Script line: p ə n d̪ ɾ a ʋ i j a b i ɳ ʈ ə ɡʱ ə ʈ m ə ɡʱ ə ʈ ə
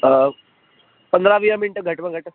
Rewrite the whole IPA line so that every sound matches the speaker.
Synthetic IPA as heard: p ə n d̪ ɾ a ʋ i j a m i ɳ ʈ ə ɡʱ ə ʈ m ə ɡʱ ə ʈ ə